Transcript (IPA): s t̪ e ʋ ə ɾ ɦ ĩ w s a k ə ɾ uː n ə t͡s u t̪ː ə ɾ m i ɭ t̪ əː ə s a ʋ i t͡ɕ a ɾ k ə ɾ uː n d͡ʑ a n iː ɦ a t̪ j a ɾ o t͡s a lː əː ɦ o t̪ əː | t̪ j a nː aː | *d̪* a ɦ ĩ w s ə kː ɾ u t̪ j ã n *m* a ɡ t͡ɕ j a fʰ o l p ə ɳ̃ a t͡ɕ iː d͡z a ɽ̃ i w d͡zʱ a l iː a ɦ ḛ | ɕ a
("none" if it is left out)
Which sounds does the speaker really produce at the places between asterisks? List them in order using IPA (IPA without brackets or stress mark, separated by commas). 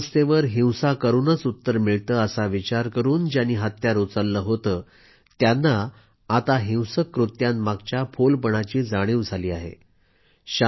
t̪, m